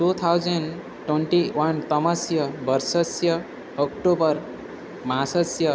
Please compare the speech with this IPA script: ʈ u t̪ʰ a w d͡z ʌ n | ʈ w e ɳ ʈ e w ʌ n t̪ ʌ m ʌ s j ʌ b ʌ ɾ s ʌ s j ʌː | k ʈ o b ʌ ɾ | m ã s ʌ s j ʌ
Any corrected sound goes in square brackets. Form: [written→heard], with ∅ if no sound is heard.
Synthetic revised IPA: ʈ u t̪ʰ a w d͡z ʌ n | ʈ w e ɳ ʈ [e→i] w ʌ n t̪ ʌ m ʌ s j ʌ b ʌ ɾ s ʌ s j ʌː | k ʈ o b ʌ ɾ | m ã s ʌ s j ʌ